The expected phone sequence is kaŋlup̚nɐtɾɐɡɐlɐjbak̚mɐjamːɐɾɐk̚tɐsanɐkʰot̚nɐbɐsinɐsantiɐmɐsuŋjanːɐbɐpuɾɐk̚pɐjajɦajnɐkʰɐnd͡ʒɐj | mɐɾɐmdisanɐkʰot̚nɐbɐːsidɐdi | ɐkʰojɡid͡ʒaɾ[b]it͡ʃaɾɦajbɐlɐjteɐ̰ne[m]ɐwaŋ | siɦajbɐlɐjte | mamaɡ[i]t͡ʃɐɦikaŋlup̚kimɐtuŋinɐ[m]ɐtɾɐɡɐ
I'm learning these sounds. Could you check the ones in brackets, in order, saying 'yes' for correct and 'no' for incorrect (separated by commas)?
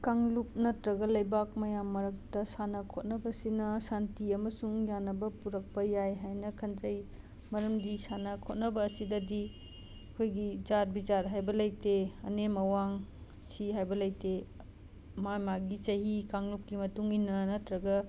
yes, yes, yes, no